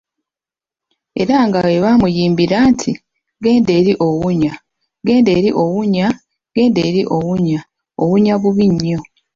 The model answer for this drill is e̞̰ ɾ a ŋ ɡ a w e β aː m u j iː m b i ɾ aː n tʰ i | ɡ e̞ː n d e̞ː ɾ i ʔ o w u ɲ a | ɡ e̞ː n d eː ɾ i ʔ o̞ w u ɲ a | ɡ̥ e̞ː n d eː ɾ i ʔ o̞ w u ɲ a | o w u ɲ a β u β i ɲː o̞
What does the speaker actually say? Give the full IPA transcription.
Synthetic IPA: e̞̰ ɾ a ŋ ɡ a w e β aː m u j iː m b i ɾ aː n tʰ i | ɡ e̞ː n d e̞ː ɾ i ʔ o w u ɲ a | ɡ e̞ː n d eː ɾ i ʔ o̞ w u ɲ a | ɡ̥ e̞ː n d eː ɾ i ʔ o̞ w u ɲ a | o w u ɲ a β u β i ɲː o̞